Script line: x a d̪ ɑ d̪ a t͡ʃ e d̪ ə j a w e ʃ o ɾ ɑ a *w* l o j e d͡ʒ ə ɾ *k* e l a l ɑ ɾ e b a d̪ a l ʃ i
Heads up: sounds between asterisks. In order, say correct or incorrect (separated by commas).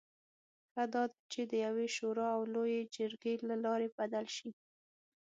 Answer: correct, incorrect